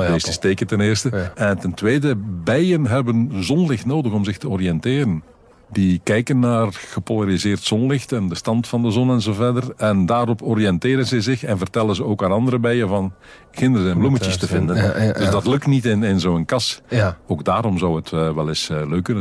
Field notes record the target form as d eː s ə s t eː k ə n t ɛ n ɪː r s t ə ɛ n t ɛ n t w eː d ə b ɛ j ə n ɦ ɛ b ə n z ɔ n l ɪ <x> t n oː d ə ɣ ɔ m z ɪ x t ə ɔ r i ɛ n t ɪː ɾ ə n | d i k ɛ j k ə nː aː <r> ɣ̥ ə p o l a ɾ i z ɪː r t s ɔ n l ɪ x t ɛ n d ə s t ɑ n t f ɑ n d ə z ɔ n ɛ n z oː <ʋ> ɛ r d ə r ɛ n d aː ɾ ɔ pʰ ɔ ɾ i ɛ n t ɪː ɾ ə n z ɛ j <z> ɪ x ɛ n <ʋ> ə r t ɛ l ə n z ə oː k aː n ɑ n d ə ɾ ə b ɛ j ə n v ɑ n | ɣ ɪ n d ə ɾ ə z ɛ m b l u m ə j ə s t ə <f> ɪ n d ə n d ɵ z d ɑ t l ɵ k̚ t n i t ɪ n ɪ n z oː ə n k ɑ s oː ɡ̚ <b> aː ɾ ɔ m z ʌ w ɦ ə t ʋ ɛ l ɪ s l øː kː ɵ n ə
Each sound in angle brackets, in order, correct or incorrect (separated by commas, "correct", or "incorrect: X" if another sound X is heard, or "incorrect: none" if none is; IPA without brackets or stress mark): correct, correct, incorrect: v, correct, incorrect: v, incorrect: v, incorrect: d